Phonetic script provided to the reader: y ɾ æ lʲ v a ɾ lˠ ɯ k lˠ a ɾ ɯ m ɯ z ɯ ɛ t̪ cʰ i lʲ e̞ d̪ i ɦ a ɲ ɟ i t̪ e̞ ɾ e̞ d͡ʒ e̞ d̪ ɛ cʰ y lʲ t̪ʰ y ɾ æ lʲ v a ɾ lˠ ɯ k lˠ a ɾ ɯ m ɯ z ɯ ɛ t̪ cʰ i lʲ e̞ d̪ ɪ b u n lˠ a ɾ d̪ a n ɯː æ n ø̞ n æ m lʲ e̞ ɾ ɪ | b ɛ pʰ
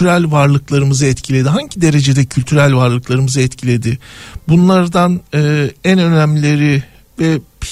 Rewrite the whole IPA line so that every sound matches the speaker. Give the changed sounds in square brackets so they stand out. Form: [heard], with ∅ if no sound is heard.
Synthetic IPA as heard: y ɾ æ lʲ v a ɾ lˠ ɯ k lˠ a ɾ ɯ m ɯ z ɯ ɛ t̪ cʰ i lʲ e̞ d̪ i ɦ a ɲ ɟ i [d̪] e̞ ɾ e̞ d͡ʒ e̞ d̪ ɛ cʰ y lʲ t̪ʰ y ɾ æ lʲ v a ɾ lˠ ɯ k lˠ a ɾ ɯ m ɯ z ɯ ɛ t̪ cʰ i lʲ e̞ d̪ ɪ b u n lˠ a ɾ d̪ a n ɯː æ n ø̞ n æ m lʲ e̞ ɾ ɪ | [v] ɛ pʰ